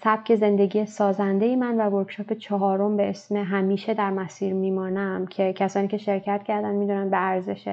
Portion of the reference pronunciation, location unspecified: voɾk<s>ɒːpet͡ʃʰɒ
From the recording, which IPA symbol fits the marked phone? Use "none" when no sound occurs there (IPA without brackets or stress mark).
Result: ʃ